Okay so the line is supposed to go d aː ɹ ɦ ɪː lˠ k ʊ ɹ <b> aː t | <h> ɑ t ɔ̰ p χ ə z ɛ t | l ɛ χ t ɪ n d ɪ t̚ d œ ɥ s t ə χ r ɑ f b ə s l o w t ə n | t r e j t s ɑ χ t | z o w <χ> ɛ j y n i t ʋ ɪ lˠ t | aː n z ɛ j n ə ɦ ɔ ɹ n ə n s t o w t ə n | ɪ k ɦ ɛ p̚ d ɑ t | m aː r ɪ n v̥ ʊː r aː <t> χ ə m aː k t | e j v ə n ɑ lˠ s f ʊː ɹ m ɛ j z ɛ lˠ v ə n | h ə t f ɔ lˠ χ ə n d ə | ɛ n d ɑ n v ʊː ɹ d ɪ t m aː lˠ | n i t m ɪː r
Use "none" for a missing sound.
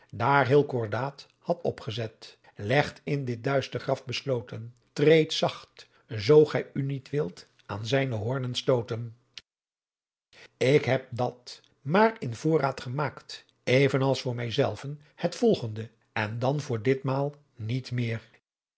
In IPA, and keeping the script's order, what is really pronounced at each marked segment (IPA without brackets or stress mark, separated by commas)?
d, h, χ, t